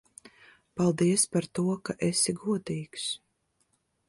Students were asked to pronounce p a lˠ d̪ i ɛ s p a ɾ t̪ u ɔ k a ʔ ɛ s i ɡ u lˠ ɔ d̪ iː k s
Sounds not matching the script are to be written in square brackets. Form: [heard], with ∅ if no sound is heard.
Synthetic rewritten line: p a lˠ d̪ i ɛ s p a ɾ t̪ u ɔ k a ʔ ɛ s i ɡ u [∅] ɔ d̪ iː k s